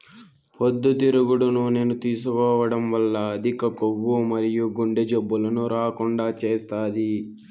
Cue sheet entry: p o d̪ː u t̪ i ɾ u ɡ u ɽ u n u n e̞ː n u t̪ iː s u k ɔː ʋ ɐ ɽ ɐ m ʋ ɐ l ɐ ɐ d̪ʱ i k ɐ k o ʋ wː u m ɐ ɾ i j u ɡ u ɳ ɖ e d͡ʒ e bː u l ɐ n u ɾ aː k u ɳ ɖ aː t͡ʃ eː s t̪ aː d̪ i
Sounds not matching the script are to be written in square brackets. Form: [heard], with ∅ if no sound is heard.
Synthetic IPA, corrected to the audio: p o d̪ː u t̪ i ɾ u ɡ u ɽ u n u n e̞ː n u t̪ iː s u k ɔː ʋ ɐ ɽ ɐ m ʋ ɐ [lː] ɐ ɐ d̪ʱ i k ɐ k o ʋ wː u m ɐ ɾ i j u ɡ u ɳ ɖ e d͡ʒ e bː u l ɐ n u ɾ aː k u ɳ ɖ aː t͡ʃ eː s t̪ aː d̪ i